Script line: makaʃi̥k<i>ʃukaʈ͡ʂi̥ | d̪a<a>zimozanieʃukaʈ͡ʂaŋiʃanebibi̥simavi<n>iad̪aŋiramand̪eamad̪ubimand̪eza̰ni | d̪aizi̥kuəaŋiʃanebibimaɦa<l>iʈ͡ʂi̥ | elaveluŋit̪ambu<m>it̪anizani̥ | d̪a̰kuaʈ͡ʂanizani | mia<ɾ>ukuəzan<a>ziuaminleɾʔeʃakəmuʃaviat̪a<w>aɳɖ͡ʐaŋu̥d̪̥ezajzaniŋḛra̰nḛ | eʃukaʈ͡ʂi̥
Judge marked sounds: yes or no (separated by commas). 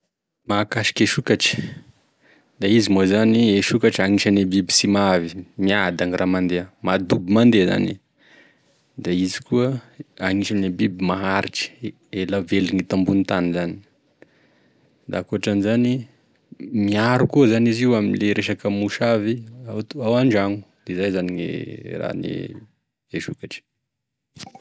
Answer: no, no, no, no, no, yes, no, yes